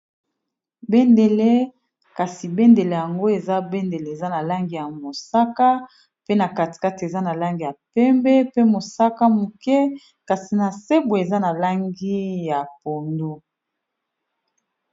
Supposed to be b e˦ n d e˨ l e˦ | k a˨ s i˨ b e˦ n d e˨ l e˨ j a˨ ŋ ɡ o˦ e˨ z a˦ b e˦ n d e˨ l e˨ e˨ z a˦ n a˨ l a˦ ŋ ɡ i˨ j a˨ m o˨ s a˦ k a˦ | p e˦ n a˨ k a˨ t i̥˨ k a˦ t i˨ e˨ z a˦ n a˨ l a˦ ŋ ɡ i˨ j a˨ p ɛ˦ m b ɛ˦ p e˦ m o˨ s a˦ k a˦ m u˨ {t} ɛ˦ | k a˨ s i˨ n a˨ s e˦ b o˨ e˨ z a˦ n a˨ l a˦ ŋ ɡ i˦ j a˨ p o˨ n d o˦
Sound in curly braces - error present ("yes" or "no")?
yes